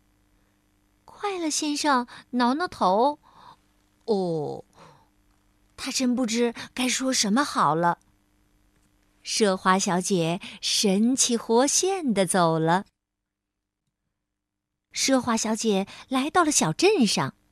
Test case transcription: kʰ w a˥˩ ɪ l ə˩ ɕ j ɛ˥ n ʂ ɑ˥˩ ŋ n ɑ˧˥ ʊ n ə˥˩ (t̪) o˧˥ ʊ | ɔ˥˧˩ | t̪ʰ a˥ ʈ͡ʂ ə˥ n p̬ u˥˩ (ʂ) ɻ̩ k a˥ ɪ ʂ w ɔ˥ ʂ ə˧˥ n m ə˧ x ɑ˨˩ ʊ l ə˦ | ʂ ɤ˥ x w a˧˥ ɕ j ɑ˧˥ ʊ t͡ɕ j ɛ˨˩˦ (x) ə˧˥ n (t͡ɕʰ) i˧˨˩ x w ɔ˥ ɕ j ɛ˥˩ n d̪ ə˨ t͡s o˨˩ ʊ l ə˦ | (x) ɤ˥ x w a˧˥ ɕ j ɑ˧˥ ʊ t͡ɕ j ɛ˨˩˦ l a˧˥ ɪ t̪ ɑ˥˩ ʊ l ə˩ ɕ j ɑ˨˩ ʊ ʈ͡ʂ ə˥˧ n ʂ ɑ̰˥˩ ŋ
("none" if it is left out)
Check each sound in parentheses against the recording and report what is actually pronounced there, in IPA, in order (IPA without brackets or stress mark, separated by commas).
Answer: t̪ʰ, ʈ͡ʂ, ʂ, t͡ɕʰ, ʂ